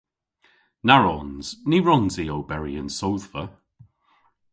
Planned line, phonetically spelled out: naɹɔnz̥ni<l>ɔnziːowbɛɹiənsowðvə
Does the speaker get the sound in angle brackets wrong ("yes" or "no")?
yes